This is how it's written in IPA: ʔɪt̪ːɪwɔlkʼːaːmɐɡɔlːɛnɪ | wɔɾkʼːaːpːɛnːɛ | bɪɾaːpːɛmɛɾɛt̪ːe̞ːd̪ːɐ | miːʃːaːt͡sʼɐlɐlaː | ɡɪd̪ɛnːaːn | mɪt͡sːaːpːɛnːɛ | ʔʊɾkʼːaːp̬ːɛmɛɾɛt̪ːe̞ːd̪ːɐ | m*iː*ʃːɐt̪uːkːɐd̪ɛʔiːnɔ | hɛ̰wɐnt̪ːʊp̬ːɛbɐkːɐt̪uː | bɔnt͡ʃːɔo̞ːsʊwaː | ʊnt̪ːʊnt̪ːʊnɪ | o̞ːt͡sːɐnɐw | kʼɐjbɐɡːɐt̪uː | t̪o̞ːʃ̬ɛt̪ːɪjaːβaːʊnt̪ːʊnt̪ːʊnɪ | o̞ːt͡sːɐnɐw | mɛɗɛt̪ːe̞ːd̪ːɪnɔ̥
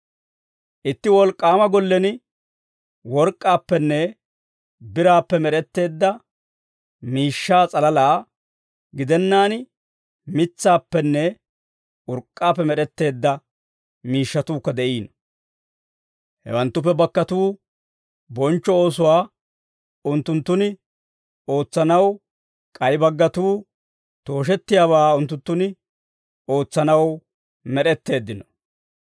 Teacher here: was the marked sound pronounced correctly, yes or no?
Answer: yes